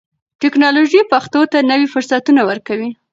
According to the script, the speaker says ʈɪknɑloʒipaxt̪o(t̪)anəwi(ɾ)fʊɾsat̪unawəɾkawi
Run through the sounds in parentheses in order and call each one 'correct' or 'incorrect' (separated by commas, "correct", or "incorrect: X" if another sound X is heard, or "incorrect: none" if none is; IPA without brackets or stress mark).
correct, incorrect: none